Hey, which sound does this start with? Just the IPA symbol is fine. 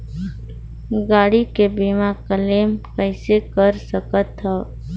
ɡ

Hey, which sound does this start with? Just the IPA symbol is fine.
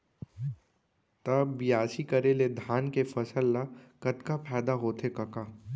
t̪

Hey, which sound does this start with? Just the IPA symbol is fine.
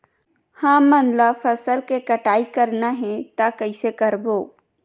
h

